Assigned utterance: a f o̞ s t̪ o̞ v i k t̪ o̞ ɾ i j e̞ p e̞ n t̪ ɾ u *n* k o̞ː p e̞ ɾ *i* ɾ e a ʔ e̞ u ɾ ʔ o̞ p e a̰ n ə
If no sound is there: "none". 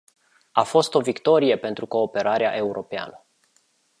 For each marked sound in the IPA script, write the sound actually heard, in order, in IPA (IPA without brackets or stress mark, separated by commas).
none, a